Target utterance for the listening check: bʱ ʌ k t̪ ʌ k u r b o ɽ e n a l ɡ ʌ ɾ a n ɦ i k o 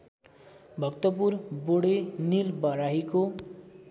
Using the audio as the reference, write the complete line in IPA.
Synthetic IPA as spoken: bʱ ʌ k t̪ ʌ p u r b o ɽ e n i l b ʌ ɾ a ɦ i k o